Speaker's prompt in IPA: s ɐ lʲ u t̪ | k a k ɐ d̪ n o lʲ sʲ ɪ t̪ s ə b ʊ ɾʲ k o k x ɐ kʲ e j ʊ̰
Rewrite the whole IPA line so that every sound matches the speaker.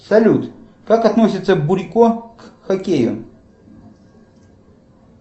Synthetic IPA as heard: s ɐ lʲ u t̪ | k a k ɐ t̪ n o sʲ ɪ t̪ s ə b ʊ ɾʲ k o k x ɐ kʲ e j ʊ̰